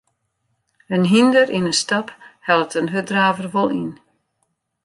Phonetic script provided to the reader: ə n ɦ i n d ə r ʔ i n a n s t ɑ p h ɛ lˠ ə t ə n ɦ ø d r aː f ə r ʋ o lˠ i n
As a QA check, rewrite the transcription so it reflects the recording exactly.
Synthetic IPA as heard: ə n ɦ i n d ə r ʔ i n ə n s t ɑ p h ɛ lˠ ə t ə n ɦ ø d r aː v ə r ʋ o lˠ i n